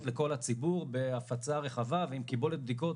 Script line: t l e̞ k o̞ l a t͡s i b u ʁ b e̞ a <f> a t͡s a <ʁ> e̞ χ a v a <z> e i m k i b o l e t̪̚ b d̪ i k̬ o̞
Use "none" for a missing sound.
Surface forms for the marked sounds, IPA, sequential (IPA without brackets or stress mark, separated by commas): f, ʁ, v